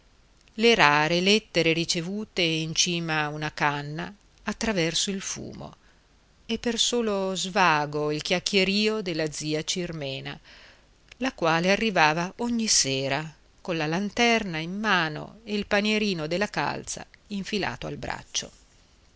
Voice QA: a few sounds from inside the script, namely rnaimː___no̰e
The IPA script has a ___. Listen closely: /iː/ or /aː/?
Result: aː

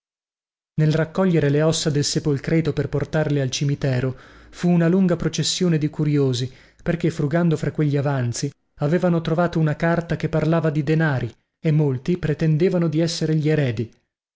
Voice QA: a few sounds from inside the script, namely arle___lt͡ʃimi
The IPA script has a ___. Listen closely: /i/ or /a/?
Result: a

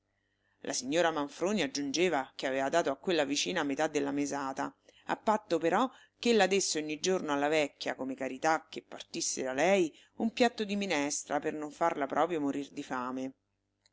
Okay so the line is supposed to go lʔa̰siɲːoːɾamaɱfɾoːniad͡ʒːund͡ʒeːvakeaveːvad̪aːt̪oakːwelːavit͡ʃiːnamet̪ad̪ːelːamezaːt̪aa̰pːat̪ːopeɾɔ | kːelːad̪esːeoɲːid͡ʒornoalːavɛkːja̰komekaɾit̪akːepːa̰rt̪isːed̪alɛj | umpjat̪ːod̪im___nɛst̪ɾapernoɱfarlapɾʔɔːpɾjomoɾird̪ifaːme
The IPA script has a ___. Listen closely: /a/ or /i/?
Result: i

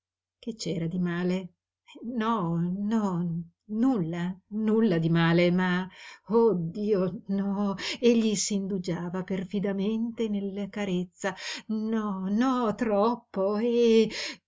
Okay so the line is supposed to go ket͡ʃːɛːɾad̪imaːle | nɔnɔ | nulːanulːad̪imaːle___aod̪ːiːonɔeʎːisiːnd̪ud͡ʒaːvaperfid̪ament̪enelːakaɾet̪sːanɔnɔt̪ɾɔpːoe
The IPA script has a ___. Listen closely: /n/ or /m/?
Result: m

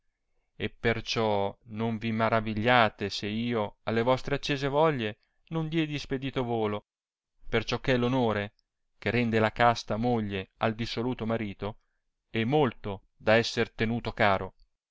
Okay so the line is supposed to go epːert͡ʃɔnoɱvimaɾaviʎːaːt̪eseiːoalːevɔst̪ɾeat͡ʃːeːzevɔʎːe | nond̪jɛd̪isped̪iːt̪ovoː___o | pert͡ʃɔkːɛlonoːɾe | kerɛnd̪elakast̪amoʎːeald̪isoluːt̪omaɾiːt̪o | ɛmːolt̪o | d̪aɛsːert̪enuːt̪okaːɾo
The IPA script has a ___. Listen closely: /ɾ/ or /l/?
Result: l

